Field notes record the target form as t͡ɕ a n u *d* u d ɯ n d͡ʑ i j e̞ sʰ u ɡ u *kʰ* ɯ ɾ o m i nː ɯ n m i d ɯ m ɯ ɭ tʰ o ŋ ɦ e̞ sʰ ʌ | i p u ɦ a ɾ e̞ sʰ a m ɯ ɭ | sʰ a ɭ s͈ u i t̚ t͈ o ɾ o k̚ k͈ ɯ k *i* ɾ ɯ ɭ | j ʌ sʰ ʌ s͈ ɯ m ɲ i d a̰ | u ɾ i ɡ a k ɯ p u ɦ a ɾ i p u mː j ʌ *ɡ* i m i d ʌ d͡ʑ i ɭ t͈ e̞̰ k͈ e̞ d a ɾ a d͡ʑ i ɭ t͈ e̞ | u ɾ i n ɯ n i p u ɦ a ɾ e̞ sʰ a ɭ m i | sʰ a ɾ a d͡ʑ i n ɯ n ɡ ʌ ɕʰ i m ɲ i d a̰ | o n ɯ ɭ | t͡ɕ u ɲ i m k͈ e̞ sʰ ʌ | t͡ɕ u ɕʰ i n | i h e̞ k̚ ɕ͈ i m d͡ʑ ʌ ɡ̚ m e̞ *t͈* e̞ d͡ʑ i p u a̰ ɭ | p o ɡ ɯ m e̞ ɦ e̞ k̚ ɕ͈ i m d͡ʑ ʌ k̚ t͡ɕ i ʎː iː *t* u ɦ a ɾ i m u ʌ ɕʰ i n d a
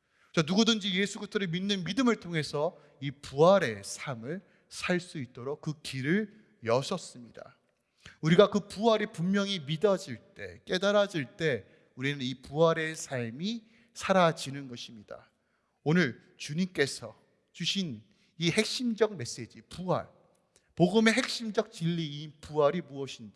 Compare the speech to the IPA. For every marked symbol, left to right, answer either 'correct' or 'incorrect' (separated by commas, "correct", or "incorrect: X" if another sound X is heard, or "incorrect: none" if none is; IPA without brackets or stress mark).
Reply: incorrect: ɡ, incorrect: tʰ, correct, incorrect: ŋ, incorrect: s͈, incorrect: p